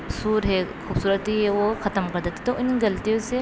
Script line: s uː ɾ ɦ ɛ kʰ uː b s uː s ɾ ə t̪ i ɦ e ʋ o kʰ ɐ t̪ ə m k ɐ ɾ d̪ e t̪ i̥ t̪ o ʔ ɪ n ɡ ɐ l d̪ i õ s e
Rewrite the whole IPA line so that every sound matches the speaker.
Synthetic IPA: s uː ɾ ɦ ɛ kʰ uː b s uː ɾ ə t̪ i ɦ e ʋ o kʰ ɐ t̪ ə m k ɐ ɾ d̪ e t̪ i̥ t̪ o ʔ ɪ n ɡ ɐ l t̪ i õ s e